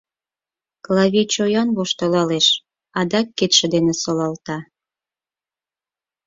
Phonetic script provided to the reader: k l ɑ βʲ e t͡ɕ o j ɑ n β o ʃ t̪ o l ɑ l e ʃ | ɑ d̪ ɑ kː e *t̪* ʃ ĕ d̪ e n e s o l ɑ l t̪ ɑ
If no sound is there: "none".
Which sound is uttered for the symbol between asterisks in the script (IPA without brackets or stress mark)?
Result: t̪